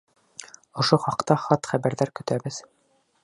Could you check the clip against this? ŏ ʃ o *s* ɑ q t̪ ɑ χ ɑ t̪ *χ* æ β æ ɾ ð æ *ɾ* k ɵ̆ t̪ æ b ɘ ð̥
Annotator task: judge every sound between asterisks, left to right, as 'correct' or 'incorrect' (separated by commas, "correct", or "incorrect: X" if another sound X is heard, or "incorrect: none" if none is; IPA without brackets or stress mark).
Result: incorrect: χ, correct, correct